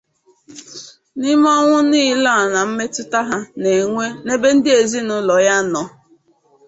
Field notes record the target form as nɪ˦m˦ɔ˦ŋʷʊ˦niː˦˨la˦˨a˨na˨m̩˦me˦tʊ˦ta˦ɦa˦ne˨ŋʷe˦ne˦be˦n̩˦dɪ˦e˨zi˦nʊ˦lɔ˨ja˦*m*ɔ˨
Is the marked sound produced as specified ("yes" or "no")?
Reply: no